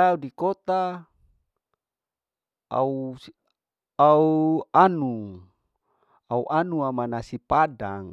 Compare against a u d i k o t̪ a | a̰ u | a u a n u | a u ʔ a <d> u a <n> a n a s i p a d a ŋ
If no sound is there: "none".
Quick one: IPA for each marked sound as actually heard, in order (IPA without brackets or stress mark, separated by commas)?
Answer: n, m